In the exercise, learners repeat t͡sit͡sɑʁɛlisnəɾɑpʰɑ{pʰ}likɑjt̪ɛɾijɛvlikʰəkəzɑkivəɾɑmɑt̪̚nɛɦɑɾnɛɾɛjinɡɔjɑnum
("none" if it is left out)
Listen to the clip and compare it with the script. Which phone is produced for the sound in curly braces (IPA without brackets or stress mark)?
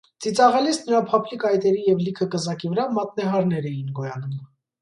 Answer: pʰ